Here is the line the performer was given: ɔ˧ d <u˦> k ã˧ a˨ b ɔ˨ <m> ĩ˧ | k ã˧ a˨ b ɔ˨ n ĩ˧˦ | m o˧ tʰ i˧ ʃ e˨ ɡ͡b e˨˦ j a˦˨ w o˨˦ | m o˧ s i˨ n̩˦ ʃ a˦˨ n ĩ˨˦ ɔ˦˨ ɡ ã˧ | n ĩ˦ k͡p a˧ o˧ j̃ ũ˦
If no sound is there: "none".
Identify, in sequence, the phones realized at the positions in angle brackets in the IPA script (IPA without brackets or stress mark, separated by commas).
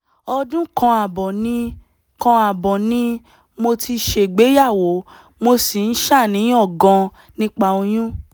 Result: ũ˦, n